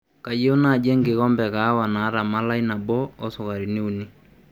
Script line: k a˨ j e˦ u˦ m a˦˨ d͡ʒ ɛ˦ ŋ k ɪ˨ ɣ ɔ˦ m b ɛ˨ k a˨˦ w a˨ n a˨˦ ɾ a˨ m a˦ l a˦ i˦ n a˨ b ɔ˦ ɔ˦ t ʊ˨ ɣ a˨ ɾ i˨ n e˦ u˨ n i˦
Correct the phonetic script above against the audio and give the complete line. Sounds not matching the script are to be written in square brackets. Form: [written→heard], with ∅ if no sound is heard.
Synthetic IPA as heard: k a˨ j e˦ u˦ [m→n] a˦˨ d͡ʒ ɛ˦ ŋ [k→ɡ] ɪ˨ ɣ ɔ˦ m b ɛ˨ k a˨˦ w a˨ n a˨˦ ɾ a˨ m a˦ l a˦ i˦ n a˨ b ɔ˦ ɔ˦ [t→s] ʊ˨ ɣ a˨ ɾ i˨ n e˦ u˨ n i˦